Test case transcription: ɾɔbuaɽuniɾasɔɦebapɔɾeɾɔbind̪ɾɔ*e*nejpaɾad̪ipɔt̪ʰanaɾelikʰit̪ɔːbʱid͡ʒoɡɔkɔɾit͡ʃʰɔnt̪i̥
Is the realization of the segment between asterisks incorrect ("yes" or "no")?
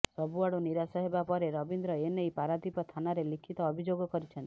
no